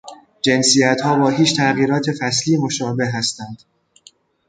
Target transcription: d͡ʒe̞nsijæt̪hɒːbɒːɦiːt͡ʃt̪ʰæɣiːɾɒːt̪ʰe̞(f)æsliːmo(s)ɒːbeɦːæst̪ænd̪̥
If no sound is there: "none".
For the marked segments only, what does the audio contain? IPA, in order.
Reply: f, ʃ

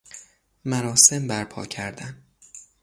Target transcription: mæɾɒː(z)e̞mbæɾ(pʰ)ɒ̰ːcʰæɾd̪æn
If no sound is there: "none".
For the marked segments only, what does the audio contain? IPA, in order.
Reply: s, pʰ

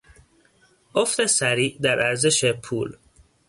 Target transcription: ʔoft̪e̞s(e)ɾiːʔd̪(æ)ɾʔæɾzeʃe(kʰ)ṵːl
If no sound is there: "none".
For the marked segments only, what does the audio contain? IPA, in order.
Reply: æ, æ, pʰ

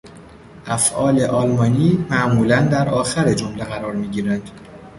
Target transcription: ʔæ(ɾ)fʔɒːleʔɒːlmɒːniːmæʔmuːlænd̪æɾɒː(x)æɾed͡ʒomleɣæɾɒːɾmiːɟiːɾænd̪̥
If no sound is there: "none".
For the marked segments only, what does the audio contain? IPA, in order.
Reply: none, x

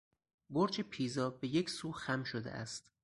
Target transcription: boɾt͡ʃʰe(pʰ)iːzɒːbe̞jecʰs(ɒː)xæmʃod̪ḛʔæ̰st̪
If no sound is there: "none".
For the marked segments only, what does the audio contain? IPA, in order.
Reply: pʰ, uː

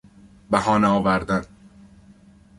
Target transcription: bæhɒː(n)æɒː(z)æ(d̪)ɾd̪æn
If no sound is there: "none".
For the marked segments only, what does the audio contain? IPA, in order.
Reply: n, v, none

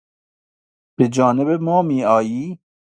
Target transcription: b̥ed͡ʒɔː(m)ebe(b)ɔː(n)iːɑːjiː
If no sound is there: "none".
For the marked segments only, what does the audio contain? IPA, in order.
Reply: n, m, m

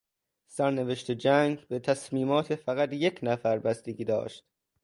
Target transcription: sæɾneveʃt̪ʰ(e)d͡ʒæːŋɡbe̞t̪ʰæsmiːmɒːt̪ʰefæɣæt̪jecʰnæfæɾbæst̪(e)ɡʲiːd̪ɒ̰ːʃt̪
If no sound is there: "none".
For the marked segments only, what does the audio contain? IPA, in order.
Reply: e, e

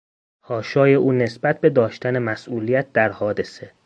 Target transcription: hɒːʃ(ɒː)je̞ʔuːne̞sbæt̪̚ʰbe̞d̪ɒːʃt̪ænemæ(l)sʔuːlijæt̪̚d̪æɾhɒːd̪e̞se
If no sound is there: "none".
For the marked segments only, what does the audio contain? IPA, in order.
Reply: ɒː, none

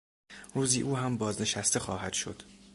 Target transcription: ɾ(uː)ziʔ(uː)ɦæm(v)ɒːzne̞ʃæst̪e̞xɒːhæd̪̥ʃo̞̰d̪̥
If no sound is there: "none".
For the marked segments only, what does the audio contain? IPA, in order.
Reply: uː, uː, b

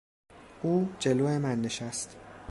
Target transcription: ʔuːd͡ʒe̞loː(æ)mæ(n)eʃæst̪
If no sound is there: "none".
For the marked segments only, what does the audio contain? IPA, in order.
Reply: e, nː

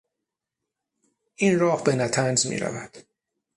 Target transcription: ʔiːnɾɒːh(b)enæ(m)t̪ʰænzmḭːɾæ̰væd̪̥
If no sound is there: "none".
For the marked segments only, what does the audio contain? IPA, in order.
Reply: b, none

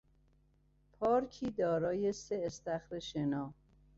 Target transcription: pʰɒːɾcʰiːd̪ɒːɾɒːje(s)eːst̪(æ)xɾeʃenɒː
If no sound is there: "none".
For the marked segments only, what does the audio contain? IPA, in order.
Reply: s, æ

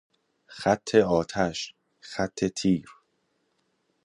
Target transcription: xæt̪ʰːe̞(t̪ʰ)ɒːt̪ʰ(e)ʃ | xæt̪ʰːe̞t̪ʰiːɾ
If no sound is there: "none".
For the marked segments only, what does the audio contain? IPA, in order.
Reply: none, æ

